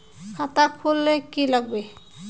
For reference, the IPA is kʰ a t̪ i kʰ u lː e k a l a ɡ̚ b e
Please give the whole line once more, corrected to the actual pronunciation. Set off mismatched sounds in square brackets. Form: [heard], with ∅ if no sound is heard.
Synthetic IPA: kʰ a t̪ [a] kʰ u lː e k [i] l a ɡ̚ b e